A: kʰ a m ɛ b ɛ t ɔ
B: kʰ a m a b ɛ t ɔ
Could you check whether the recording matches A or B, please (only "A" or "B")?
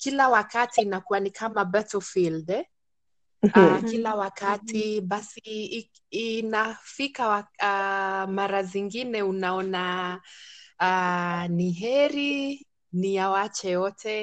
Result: B